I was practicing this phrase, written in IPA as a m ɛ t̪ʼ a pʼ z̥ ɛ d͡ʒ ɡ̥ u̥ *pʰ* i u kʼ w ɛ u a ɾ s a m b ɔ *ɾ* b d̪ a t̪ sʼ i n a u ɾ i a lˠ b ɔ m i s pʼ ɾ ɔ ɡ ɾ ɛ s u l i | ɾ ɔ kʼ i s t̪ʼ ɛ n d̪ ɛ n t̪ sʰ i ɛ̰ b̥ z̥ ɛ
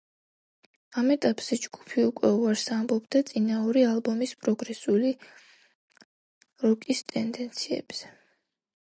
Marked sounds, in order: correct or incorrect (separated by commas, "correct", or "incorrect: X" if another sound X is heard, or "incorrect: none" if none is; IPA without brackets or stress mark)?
correct, incorrect: none